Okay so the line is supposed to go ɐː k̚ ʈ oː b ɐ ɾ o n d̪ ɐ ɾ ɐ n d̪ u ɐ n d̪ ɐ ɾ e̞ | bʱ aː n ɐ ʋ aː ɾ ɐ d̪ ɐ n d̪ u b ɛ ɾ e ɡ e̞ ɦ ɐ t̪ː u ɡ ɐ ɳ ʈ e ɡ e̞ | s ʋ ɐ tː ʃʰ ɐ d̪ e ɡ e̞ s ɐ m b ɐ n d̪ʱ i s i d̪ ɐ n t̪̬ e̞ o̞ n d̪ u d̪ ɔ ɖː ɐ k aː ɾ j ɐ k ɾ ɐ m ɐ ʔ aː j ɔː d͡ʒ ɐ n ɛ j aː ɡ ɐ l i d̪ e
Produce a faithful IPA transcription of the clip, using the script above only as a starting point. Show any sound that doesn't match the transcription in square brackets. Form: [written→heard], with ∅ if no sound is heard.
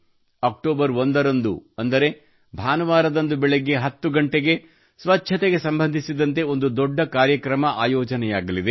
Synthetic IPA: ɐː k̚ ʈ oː b ɐ ɾ o n d̪ ɐ ɾ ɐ n d̪ u ɐ n d̪ ɐ ɾ e̞ | bʱ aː n ɐ ʋ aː ɾ ɐ d̪ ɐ n d̪ u b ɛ [ɾ→ɭ] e ɡ e̞ ɦ ɐ t̪ː u ɡ ɐ ɳ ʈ e ɡ e̞ | s ʋ ɐ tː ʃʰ ɐ [d̪→t̪] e ɡ e̞ s ɐ m b ɐ n d̪ʱ i s i d̪ ɐ n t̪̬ e̞ o̞ n d̪ u d̪ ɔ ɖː ɐ k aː ɾ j ɐ k ɾ ɐ m ɐ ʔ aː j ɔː d͡ʒ ɐ n ɛ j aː ɡ ɐ l i d̪ e